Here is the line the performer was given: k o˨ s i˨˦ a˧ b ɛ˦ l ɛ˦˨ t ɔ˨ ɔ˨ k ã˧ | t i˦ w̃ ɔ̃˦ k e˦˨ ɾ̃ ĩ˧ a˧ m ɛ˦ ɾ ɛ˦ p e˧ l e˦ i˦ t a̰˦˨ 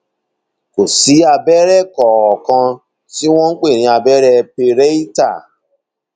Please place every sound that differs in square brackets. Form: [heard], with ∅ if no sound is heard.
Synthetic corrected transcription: k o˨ s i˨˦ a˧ b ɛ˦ [ɾ] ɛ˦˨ [k] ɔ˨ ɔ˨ k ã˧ | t i˦ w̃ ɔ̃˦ [k͡p] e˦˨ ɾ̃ ĩ˧ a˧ [b] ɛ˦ ɾ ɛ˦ p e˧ [ɾ] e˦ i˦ t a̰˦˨